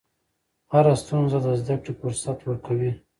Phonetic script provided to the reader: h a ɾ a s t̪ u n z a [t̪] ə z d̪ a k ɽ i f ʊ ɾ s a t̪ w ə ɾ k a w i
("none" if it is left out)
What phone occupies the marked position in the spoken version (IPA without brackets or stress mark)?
d̪